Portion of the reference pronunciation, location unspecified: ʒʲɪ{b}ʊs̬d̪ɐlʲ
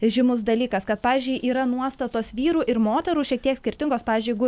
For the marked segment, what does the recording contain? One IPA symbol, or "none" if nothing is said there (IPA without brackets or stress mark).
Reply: m